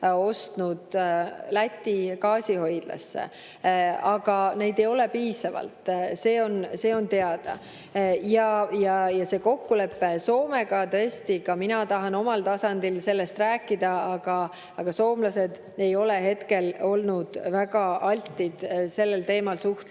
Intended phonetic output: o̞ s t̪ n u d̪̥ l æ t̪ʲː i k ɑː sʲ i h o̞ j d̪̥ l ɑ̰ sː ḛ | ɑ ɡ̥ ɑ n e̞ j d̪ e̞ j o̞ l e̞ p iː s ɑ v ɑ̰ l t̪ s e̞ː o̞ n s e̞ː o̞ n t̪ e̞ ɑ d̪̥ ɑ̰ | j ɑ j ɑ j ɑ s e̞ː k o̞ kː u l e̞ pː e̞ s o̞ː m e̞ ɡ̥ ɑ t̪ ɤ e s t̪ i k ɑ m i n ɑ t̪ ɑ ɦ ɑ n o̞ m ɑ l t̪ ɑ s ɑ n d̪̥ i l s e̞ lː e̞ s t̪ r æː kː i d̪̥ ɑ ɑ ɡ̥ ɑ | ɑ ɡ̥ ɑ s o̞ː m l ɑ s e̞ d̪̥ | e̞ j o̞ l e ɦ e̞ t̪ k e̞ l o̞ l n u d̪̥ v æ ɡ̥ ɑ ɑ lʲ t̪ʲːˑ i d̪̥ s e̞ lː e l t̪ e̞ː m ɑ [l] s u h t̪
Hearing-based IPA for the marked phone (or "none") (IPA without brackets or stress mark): l